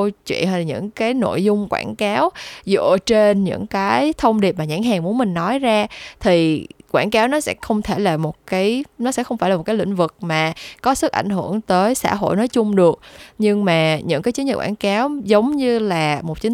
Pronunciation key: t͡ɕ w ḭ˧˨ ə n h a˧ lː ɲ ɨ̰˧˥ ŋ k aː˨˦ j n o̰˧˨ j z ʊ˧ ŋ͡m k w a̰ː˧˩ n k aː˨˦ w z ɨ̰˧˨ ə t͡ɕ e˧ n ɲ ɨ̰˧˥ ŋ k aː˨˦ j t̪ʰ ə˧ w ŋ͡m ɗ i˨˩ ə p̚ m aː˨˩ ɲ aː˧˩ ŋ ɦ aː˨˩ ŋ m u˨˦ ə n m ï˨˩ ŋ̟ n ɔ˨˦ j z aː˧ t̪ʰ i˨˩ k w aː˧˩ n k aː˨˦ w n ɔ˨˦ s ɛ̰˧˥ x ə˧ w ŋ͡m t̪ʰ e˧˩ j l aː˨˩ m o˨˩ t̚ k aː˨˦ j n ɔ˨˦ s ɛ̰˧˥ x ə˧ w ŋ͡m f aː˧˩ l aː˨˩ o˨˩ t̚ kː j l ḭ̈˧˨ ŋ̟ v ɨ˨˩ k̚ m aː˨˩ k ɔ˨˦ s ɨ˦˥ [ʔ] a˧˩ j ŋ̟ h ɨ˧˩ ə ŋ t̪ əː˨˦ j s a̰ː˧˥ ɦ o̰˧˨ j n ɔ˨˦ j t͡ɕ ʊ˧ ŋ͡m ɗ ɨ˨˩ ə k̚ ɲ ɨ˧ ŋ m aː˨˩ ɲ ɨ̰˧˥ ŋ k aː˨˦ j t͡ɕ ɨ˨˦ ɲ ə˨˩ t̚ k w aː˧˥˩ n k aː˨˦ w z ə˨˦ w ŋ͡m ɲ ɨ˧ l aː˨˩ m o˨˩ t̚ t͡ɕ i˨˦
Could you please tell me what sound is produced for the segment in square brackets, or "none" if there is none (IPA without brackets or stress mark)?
ʔ